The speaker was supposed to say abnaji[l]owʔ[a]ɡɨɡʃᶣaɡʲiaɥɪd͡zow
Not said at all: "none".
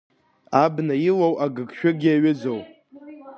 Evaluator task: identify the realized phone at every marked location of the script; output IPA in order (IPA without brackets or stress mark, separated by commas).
l, a